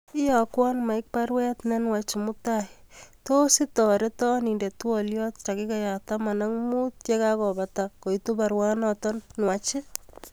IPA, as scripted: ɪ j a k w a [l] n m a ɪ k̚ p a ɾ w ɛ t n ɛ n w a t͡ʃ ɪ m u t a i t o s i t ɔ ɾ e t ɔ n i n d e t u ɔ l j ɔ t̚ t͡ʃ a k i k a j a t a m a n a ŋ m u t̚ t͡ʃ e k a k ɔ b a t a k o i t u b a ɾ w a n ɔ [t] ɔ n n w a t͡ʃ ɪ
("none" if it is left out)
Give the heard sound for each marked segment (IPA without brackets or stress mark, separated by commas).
none, t